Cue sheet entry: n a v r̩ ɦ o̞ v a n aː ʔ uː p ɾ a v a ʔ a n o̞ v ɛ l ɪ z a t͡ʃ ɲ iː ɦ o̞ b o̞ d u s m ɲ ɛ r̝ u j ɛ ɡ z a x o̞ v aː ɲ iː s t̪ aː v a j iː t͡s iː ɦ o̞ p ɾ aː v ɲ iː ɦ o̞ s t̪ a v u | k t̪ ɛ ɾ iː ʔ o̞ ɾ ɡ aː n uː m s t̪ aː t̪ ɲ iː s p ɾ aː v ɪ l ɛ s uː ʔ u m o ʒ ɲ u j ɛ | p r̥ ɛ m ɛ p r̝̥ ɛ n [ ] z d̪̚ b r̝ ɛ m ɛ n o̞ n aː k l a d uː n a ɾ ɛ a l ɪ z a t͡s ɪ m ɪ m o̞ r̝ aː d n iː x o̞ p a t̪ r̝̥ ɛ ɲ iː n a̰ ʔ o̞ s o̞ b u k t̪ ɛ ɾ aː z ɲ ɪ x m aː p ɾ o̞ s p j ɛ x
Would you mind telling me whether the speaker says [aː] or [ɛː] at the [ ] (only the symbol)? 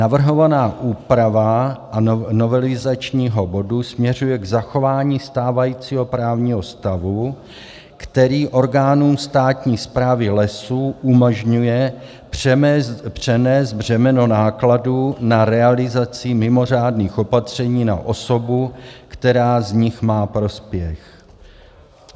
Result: ɛː